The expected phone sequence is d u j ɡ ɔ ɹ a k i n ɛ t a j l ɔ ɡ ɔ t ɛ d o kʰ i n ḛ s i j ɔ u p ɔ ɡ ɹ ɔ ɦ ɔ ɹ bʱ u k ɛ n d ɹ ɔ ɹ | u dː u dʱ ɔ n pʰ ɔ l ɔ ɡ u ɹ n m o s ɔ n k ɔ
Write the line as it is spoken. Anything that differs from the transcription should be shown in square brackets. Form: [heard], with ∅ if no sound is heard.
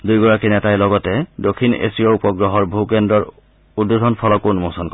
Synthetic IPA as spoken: d u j ɡ ɔ ɹ a k i n ɛ t a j l ɔ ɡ ɔ t ɛ d o kʰ i n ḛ s i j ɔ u p ɔ ɡ ɹ ɔ ɦ ɔ ɹ bʱ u k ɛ n d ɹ ɔ ɹ | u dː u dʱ ɔ n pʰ ɔ l ɔ [k] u [∅] n m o s ɔ n k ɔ